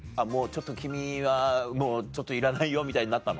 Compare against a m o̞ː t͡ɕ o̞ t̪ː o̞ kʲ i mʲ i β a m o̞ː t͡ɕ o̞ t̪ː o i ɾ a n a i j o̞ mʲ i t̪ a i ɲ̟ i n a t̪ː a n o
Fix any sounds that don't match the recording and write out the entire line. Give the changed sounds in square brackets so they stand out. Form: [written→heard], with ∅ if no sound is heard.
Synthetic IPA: a m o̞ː t͡ɕ o̞ t̪ː o̞ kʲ i mʲ i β a m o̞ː t͡ɕ o̞ t̪ː o i ɾ a n a i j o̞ mʲ i t̪ a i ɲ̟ i n a t̪ː a n o